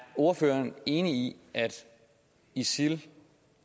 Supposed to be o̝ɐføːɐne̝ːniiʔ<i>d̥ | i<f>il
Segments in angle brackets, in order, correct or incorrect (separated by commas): incorrect, incorrect